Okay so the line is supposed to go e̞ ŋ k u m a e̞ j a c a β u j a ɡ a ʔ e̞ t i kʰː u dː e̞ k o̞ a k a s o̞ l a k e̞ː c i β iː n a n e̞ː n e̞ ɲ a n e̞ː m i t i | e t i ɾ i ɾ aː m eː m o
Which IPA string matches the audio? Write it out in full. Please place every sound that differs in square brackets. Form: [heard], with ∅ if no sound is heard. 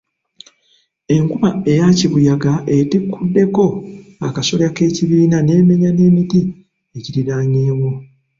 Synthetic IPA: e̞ ŋ k u m a e̞ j a c [i] β u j a ɡ a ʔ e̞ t i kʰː u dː e̞ k o̞ a k a s o̞ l a k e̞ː c i β iː n a n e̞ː [m] e̞ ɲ a n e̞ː m i t i | e [c] i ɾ i ɾ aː [ɲ] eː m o